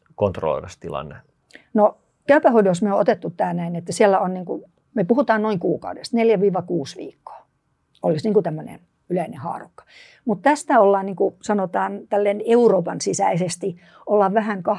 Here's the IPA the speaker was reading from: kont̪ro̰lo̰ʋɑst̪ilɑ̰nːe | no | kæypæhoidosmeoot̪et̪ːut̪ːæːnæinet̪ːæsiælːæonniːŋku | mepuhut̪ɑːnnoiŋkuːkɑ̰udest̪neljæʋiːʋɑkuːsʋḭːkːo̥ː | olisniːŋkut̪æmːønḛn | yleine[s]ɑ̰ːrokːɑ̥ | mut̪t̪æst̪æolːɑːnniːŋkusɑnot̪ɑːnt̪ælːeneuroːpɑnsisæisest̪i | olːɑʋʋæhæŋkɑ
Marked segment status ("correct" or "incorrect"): incorrect